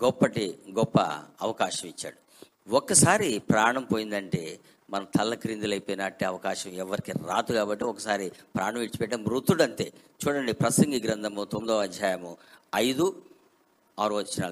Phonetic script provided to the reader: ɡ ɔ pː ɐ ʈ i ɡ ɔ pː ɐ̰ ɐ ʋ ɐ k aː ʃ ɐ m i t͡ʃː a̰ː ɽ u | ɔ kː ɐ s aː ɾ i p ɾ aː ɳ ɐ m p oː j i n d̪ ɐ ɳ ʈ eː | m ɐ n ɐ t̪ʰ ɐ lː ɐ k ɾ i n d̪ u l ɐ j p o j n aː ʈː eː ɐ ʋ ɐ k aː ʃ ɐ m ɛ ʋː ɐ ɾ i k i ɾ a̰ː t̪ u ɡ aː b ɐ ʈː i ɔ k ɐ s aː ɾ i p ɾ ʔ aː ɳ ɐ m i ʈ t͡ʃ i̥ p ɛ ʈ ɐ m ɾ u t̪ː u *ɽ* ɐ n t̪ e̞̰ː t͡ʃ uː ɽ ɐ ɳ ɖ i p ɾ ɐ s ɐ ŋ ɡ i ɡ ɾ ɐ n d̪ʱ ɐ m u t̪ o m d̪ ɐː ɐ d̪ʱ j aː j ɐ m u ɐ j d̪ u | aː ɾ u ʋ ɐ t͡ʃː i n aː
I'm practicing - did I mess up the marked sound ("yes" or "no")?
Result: no